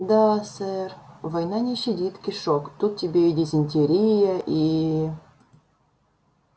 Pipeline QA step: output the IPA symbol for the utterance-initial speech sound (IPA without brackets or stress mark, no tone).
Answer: d̪